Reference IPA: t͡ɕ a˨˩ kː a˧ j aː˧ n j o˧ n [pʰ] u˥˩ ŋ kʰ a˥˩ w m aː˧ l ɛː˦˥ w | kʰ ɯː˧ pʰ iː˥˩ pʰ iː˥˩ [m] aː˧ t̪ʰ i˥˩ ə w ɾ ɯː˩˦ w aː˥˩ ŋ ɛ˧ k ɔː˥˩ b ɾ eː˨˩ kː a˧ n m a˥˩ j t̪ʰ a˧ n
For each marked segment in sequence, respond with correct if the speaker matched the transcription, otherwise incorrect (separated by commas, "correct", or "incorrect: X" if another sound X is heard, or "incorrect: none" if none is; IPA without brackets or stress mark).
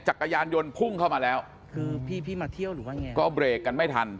correct, correct